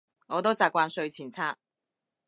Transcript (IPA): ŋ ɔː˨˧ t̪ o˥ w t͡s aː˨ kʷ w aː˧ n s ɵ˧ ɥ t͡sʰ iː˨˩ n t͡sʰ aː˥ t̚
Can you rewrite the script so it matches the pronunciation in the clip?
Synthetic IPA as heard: ŋ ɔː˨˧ t̪ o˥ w t͡s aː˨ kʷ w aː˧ n s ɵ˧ ɥ t͡sʰ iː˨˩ n t͡sʰ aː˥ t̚